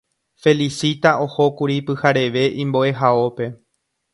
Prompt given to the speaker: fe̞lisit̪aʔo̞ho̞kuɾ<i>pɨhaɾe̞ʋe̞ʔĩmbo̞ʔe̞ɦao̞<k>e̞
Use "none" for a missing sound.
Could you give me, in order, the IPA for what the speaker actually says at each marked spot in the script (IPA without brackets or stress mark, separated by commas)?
i, p